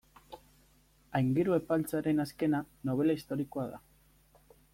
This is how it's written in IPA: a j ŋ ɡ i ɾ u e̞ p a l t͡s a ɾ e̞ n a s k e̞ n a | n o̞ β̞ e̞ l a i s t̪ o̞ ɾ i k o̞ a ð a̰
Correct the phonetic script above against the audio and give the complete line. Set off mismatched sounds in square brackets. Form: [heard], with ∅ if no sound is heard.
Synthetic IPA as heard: a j ŋ ɡ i ɾ u e̞ p a l t͡s a ɾ e̞ n a s k e̞ n a | n o̞ β̞ e̞ l a i s t̪ o̞ ɾ i k o̞ a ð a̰